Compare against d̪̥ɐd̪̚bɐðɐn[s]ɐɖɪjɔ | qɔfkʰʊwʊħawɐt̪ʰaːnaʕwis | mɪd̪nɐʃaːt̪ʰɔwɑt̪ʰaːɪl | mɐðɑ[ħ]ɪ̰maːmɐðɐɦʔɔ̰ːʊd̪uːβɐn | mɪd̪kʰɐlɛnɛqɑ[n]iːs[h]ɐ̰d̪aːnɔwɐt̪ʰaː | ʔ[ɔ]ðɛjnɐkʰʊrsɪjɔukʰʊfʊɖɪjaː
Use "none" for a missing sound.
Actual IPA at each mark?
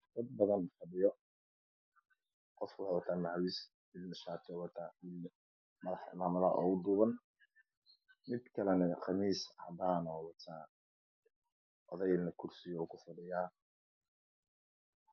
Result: f, ħ, m, h, ɔ

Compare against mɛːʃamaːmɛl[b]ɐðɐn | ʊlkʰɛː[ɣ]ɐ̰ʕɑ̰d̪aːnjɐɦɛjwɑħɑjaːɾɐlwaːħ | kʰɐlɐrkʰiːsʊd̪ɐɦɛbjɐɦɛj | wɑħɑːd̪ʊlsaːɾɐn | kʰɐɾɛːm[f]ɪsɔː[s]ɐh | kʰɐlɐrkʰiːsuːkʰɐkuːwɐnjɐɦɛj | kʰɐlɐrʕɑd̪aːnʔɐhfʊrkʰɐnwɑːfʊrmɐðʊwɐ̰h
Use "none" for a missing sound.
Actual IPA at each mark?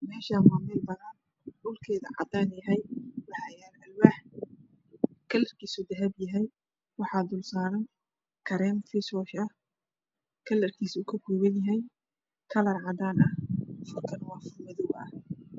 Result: b, ð, f, ʃ

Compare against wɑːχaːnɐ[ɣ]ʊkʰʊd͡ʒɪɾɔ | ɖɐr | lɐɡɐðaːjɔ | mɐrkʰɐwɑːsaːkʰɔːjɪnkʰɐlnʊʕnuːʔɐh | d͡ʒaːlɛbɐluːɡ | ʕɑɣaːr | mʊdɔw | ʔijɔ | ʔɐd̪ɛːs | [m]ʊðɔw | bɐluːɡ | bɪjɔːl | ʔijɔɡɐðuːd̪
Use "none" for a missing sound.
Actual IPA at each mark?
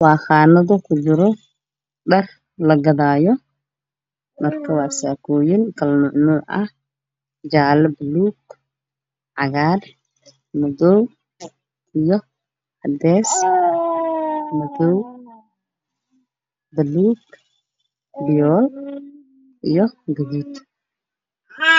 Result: ð, m

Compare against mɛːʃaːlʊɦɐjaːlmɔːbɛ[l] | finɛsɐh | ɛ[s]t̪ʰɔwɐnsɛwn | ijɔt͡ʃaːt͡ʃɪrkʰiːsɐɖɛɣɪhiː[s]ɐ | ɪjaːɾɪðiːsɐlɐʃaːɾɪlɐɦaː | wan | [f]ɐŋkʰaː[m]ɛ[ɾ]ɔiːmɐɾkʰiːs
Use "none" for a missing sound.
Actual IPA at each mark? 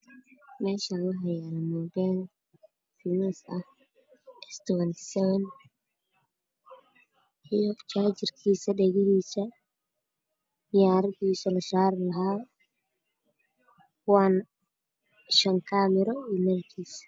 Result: l, s, s, ʃ, m, ɾ

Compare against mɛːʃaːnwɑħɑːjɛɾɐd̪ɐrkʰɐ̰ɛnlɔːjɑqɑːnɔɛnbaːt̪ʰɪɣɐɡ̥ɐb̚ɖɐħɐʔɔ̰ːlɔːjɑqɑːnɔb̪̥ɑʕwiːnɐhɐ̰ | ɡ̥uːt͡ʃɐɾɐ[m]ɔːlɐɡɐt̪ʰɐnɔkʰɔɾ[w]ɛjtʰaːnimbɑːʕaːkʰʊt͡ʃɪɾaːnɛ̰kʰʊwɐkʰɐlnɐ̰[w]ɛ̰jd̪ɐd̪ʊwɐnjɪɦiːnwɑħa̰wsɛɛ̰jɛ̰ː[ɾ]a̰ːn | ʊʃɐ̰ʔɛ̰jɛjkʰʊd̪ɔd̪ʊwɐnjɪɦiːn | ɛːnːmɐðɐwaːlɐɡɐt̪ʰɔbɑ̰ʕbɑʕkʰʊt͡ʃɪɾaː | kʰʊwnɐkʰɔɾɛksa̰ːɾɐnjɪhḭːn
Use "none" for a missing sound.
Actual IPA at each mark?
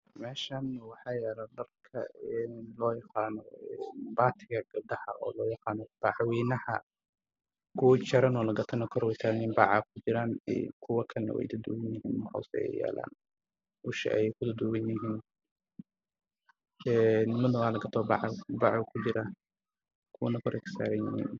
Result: n, w, w, l

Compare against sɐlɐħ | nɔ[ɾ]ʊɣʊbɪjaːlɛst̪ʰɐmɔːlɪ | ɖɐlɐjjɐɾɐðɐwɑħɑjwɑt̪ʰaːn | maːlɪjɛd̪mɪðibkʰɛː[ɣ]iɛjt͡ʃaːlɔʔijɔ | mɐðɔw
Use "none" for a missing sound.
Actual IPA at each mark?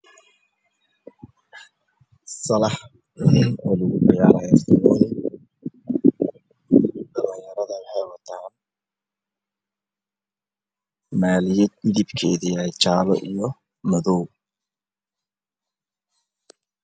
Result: l, ð

